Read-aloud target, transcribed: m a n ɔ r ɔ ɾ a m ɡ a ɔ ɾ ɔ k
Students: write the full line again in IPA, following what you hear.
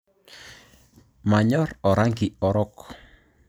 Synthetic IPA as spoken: m a ɲ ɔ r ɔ ɾ a ŋ ɡ i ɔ ɾ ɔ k